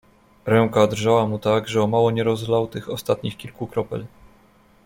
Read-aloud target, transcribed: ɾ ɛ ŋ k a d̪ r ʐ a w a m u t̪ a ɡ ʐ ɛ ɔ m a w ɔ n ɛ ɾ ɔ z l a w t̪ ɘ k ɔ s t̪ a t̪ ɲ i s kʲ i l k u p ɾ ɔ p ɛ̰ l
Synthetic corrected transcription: ɾ ɛ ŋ k a d̪ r ʐ a w a m u t̪ a ɡ ʐ ɛ ɔ m a w ɔ ɲ ɛ ɾ ɔ z l a w t̪ ɘ x ɔ s t̪ a t̪ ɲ i x kʲ i l k u k ɾ ɔ p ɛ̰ l